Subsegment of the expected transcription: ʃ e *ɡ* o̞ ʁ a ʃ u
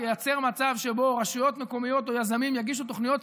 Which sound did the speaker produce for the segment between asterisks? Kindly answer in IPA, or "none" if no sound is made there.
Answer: b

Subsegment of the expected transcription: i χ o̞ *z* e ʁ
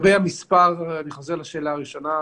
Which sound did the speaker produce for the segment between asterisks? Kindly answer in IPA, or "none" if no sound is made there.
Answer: z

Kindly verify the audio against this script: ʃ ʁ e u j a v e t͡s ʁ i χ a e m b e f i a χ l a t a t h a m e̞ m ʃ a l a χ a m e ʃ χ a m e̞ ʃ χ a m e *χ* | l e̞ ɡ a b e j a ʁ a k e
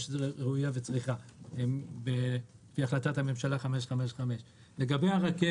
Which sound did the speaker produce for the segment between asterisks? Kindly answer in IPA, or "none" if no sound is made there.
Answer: ʃ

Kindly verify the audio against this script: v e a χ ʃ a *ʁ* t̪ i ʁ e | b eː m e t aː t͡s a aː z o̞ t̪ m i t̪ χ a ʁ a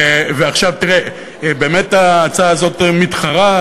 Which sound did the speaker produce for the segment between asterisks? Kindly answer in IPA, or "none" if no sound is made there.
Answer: v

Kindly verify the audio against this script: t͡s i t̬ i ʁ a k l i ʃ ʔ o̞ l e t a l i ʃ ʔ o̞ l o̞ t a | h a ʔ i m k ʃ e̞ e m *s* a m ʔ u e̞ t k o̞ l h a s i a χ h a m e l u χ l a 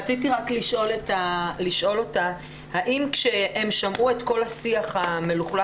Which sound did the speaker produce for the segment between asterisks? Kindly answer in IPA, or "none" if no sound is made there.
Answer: ʃ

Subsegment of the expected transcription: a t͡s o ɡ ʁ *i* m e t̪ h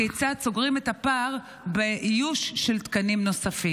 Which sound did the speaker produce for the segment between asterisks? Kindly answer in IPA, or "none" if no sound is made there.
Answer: i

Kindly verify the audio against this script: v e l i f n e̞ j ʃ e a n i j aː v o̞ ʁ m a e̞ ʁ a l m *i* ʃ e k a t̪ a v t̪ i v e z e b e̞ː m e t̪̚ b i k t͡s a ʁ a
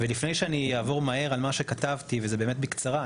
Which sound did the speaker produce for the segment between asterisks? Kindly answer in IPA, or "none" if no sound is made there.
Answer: a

